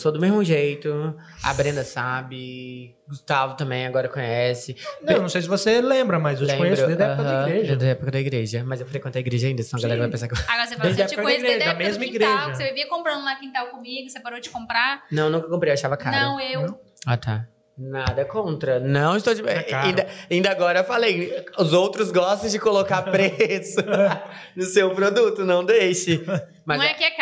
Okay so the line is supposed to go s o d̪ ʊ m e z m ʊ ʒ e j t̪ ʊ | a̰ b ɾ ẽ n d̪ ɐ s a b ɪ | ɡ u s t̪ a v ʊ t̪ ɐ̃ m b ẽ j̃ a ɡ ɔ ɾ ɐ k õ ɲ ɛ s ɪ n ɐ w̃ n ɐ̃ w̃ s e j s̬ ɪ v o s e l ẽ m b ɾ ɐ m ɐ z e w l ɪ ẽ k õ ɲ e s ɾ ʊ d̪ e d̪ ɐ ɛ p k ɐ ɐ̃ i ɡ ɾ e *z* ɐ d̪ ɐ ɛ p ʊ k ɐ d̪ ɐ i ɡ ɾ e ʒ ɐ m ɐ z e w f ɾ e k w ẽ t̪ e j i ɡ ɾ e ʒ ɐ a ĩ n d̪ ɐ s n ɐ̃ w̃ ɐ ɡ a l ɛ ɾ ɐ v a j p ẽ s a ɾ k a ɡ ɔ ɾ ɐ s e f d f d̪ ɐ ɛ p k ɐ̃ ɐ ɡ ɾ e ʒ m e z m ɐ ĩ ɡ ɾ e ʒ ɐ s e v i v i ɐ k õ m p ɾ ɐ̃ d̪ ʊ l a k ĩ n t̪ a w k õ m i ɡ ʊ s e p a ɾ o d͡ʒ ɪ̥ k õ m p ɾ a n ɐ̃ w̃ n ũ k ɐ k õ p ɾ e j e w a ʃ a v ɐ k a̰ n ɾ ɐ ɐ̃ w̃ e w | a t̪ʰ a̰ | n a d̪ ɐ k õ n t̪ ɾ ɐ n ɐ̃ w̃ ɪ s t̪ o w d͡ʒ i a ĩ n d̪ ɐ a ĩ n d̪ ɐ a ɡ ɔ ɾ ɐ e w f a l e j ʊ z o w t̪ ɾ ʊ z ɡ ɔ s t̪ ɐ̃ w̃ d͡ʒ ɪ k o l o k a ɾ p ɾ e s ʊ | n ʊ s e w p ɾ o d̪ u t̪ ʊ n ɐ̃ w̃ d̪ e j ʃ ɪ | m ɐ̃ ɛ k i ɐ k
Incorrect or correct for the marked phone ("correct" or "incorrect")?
incorrect